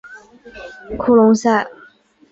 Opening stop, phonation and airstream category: aspirated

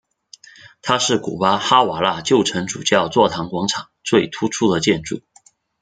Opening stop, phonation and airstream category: aspirated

